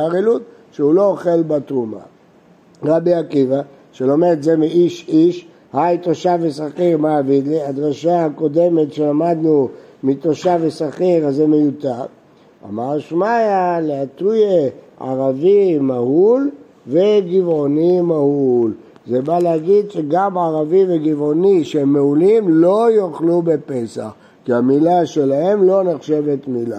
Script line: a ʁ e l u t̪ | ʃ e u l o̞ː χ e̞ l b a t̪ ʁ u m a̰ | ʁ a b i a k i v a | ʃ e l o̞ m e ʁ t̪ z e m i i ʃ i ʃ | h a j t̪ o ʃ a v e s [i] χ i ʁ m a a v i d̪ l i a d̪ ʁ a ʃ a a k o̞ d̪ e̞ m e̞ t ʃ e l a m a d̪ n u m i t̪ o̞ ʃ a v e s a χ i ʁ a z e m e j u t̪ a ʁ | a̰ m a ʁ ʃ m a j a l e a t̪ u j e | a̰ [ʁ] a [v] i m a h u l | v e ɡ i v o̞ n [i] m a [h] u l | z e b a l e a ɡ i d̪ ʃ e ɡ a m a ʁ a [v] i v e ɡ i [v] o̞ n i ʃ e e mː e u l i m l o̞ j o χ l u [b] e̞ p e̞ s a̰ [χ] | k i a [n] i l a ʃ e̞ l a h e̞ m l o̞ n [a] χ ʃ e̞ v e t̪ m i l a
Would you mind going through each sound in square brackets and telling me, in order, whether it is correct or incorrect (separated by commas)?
incorrect, correct, correct, correct, correct, correct, correct, correct, correct, incorrect, incorrect